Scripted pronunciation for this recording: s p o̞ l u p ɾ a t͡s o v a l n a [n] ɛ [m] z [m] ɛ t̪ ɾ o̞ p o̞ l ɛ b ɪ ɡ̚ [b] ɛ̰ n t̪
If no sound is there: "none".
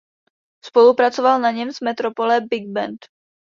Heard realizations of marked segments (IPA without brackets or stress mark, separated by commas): ɲ, m, m, b